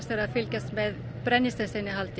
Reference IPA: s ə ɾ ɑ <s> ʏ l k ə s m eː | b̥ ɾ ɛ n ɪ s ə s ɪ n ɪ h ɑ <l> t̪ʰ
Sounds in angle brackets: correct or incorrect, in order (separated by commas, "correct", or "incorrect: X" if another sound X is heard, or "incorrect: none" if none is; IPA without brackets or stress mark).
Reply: incorrect: f, correct